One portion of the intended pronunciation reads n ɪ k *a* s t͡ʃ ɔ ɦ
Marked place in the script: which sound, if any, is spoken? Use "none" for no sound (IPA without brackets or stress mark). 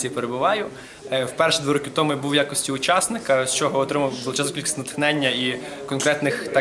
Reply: ɐ